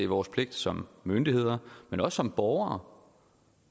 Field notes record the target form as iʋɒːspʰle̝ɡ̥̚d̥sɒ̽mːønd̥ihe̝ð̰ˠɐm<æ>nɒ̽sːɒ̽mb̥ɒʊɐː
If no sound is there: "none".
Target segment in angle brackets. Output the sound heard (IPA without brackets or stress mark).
e